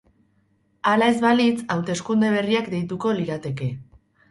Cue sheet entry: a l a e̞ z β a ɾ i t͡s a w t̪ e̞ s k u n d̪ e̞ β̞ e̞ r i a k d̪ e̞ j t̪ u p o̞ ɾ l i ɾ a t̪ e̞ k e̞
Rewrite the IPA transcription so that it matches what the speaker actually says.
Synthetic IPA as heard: a l a e̞ z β a l i t͡s a w t̪ e̞ s k u n d̪ e̞ β̞ e̞ r i a k d̪ e̞ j t̪ u k o̞ l i ɾ a t̪ e̞ k e̞